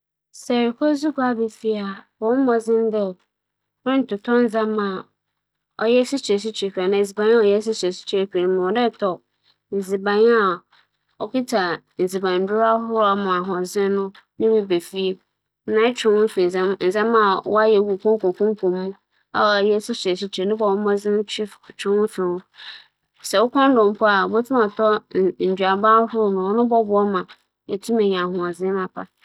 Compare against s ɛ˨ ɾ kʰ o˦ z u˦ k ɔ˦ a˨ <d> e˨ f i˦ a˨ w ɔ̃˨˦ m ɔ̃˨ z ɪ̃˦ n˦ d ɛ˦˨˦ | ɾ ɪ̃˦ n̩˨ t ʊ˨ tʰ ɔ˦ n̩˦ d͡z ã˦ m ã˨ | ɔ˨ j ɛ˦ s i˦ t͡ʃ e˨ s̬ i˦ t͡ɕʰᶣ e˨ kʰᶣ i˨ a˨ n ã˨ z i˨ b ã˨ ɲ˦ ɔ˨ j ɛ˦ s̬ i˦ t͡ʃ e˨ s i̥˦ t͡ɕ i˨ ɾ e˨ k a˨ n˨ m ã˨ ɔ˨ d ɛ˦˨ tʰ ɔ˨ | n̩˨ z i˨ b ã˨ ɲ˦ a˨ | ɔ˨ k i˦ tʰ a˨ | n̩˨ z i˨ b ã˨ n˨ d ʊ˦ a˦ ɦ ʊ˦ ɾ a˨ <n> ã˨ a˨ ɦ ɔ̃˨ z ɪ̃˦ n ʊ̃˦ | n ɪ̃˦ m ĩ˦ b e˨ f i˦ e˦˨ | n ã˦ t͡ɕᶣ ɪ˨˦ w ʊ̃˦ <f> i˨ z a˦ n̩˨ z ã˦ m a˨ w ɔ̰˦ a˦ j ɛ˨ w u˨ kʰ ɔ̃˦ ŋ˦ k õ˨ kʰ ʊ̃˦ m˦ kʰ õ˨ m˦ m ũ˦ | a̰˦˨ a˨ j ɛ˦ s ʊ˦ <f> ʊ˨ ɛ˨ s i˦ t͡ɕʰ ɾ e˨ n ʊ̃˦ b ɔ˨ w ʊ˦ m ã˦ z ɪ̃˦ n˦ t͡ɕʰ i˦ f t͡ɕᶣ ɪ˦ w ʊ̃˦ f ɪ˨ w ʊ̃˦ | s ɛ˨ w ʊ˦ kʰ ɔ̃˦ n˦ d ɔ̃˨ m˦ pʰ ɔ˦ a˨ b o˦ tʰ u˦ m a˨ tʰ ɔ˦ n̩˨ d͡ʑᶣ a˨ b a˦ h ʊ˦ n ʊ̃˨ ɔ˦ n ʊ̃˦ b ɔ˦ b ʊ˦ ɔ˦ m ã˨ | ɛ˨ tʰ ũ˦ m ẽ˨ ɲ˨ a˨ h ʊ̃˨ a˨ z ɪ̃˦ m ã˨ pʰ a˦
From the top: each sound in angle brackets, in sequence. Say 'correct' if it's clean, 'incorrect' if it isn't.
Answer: incorrect: b, incorrect: m, correct, incorrect: s

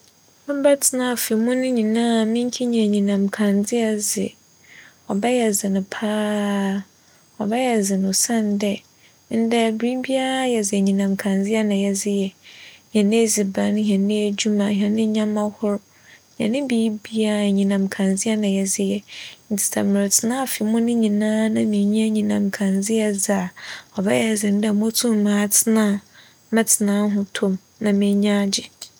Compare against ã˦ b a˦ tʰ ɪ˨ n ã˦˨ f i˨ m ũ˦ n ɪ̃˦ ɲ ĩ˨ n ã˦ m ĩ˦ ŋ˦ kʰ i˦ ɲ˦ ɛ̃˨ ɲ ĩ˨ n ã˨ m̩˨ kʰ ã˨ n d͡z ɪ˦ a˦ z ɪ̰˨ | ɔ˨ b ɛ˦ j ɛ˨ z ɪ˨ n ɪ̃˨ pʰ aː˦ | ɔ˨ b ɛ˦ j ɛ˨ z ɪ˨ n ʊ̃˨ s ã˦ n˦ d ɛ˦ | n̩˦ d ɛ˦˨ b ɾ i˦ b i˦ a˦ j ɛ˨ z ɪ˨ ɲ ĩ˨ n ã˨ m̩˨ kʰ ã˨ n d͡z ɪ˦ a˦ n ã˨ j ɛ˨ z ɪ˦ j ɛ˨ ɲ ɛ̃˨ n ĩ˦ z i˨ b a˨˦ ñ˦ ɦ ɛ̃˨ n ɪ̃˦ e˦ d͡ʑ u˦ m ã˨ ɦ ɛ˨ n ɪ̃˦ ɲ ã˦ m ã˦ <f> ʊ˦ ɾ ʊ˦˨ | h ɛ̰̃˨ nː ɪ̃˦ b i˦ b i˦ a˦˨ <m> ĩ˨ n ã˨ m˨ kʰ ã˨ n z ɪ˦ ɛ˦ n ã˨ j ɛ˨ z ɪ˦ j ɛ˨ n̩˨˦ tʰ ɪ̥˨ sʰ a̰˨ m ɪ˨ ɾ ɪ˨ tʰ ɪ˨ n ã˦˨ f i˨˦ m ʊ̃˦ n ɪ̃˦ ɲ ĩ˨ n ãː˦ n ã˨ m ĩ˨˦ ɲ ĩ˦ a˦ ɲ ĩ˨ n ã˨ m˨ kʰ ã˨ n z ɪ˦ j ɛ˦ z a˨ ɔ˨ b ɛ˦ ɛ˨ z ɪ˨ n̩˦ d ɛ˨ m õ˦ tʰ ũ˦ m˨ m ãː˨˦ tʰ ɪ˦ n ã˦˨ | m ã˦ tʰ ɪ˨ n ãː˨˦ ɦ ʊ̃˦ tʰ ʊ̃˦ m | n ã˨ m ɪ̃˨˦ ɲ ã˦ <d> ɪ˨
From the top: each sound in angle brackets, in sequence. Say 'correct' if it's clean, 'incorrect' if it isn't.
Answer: incorrect: h, incorrect: ɲ, incorrect: d͡ʑ

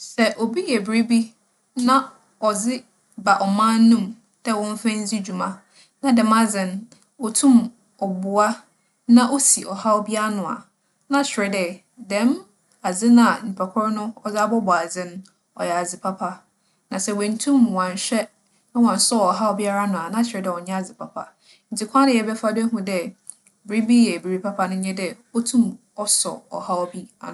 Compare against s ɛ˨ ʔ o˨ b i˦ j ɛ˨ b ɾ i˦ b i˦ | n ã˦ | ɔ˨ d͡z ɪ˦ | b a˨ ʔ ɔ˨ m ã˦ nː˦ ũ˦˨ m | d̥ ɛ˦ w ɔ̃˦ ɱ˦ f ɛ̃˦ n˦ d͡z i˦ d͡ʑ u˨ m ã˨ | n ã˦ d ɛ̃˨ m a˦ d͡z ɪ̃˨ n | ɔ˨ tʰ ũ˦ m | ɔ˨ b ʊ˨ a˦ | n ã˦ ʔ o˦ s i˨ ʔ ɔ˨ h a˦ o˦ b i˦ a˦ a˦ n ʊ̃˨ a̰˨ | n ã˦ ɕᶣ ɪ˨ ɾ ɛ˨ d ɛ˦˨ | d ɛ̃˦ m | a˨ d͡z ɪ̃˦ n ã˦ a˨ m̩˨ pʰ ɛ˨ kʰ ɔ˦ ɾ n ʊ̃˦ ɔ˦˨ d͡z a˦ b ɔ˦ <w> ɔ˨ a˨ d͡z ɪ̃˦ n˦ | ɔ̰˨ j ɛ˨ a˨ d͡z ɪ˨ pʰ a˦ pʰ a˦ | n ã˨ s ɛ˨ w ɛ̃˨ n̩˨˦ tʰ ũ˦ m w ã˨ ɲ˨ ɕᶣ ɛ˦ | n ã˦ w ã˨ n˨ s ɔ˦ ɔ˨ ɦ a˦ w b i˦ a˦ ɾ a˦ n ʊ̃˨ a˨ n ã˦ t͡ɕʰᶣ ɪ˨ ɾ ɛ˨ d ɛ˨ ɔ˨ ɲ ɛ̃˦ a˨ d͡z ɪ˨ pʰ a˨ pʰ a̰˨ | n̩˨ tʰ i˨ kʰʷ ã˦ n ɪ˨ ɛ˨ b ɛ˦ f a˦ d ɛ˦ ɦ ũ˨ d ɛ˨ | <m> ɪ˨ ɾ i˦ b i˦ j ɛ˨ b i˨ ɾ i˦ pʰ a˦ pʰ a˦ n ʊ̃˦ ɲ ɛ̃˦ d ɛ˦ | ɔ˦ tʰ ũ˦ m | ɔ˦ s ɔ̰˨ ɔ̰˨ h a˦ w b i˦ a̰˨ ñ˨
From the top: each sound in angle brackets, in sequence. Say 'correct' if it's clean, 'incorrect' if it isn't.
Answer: incorrect: b, incorrect: b

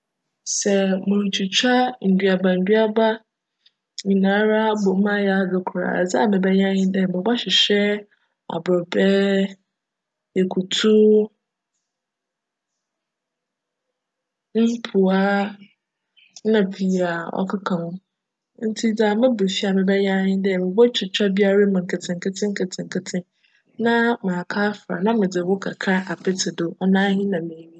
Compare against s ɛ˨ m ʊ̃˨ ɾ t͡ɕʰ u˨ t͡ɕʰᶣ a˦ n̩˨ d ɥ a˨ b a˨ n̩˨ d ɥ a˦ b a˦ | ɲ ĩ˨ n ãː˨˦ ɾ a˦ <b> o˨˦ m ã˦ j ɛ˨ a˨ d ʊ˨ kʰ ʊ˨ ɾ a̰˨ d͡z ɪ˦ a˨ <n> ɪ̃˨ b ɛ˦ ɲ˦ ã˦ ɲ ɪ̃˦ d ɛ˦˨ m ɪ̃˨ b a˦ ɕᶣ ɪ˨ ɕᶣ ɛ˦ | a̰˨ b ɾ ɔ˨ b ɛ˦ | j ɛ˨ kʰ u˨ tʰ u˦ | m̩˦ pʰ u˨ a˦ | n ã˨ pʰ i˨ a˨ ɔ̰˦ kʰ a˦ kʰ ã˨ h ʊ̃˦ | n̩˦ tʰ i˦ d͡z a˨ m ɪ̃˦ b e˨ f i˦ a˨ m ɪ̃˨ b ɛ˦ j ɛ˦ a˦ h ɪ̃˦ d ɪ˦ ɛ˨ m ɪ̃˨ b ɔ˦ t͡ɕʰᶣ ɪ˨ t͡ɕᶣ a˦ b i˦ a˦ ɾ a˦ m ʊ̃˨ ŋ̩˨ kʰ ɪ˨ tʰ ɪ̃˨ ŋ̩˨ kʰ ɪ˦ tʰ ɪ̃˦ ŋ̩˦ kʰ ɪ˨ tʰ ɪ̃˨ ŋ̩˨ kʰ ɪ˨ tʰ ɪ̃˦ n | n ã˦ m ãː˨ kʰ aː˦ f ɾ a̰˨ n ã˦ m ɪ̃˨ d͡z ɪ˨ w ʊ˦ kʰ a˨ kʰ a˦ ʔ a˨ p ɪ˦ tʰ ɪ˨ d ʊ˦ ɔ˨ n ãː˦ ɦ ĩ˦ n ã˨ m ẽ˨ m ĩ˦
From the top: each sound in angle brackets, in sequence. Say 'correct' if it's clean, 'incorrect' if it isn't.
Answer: correct, incorrect: m

